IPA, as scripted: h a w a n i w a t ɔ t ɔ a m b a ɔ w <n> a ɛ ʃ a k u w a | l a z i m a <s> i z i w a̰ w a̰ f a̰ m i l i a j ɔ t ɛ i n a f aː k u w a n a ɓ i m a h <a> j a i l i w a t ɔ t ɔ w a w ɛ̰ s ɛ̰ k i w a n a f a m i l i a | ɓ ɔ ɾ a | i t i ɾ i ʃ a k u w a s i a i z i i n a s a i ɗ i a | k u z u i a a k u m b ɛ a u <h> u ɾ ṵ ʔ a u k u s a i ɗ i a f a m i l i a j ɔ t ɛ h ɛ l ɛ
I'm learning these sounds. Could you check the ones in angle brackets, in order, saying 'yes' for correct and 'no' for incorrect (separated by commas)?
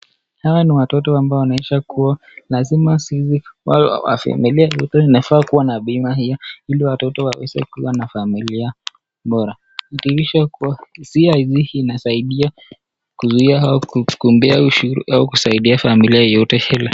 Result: yes, yes, no, no